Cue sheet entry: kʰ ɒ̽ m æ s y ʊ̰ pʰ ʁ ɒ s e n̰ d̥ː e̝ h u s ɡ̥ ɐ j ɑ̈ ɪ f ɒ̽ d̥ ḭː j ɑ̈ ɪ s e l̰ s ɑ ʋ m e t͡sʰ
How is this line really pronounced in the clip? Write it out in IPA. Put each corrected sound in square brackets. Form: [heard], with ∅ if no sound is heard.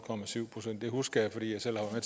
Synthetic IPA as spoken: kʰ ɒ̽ m æ s y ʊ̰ pʰ ʁ [o] s e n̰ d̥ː e̝ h u s ɡ̥ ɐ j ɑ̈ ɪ f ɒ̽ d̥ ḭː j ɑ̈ ɪ s e l̰ [h] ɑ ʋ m e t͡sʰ